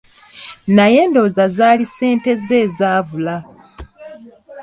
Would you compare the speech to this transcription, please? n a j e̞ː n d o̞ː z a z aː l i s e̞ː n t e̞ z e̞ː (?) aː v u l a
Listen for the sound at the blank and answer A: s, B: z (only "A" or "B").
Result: B